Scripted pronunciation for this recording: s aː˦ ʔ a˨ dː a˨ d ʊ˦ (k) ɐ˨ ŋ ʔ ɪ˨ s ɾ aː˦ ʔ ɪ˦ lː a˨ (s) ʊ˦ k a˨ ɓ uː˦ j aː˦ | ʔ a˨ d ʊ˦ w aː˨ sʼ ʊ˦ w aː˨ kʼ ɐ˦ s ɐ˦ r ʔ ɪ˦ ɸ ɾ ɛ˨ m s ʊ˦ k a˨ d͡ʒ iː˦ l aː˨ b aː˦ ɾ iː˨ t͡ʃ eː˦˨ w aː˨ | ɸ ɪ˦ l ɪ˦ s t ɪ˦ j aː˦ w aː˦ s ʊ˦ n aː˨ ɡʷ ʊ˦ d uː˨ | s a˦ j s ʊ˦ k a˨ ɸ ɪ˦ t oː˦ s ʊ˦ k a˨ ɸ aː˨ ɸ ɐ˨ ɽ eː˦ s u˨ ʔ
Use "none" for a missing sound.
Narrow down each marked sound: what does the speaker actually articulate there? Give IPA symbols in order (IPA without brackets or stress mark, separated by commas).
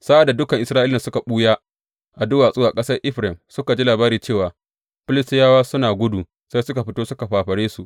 k, s